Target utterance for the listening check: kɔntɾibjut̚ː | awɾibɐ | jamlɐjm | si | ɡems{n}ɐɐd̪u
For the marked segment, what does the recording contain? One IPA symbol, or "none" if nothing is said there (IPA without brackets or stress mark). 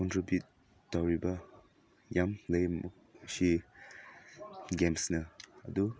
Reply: n